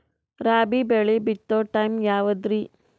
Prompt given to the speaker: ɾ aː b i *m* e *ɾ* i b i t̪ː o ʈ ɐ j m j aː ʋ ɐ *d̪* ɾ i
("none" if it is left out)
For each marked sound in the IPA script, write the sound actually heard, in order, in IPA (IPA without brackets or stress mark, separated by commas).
b, ɭ, d̪